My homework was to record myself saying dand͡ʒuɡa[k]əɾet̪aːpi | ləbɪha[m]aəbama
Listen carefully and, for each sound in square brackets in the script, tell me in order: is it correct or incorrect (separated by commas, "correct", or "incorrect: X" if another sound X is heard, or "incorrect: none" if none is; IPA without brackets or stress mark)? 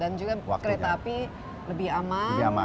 correct, correct